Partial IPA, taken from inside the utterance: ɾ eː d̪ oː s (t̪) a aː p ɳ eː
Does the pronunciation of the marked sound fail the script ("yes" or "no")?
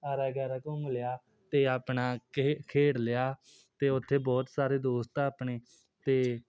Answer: no